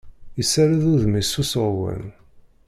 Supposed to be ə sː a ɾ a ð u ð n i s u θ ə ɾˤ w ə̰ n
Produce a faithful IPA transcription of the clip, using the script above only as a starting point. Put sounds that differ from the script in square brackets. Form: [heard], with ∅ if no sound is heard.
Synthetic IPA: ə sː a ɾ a ð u ð [m] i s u [s] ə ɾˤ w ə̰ n